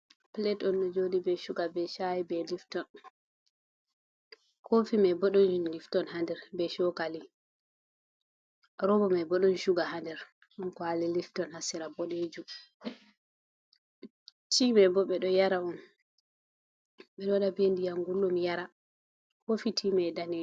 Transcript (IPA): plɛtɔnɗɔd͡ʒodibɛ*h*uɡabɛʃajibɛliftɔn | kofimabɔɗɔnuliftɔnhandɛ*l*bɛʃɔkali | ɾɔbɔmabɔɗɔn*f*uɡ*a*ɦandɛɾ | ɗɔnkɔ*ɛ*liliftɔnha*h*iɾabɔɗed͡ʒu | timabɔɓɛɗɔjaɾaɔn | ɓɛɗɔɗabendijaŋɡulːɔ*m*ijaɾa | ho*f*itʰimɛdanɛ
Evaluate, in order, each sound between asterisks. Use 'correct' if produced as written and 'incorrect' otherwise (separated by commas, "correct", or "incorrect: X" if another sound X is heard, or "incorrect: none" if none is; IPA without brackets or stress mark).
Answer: incorrect: ʃ, incorrect: ɾ, incorrect: ʃ, correct, incorrect: a, incorrect: s, correct, correct